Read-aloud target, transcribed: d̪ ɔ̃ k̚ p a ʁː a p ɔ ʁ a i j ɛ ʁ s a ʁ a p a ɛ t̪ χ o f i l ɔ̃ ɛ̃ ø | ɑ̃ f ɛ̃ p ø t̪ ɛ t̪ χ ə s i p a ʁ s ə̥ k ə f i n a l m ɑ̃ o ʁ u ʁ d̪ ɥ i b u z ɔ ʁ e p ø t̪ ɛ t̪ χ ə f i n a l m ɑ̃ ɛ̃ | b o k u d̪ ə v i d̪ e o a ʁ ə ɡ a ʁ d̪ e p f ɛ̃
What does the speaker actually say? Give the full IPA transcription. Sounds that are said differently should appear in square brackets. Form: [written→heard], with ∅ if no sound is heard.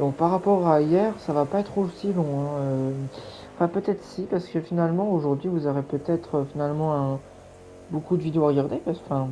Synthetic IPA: d̪ ɔ̃ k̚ p a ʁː a p ɔ ʁ a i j ɛ ʁ s a [ʁ→v] a p a ɛ t̪ χ o [f→s] i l ɔ̃ ɛ̃ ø | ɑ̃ f ɛ̃ p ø t̪ ɛ t̪ χ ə s i p a ʁ s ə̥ k ə f i n a l m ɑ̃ o [ʁ→ʒ] u ʁ d̪ ɥ i [b→v] u z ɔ ʁ e p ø t̪ ɛ t̪ χ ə f i n a l m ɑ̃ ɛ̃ | b o k u d̪ ə v i d̪ e o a ʁ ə ɡ a ʁ d̪ e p f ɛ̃